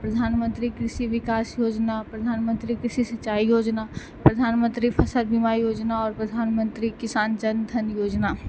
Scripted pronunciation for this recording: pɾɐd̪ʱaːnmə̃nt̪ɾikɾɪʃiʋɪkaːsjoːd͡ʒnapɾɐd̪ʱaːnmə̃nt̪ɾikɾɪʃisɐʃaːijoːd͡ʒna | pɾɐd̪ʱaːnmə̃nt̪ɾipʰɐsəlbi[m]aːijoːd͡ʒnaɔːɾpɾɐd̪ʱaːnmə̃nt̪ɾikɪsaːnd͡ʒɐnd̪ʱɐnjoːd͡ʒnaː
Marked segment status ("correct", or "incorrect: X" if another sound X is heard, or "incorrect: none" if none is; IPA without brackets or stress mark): correct